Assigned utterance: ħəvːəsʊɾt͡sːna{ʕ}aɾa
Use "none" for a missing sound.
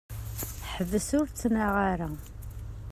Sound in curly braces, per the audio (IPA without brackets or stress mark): ʁ